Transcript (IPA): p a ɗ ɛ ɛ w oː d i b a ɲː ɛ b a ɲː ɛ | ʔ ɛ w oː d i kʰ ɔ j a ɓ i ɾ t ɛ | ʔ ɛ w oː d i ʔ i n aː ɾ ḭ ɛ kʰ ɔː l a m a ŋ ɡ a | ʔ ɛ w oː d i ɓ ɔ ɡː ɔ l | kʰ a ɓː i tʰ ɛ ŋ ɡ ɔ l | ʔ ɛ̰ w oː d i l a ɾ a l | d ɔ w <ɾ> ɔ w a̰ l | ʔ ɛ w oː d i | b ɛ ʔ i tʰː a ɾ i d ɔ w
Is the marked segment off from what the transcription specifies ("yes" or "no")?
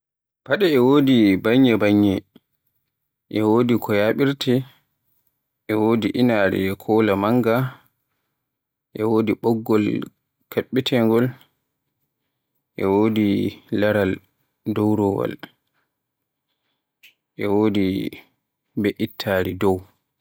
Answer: no